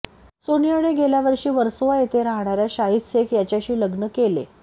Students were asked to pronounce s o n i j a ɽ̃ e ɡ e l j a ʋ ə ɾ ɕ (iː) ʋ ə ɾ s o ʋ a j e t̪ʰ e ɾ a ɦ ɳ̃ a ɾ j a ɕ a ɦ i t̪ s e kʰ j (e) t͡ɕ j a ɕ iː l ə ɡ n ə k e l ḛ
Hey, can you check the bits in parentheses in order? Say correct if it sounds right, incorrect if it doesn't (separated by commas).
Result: correct, incorrect